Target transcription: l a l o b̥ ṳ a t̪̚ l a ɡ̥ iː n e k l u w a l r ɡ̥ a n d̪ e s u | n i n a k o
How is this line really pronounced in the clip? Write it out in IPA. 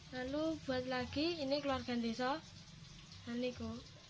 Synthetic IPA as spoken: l a l u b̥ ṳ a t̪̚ l a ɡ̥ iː n e k l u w a r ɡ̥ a n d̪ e s ɔ | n a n i k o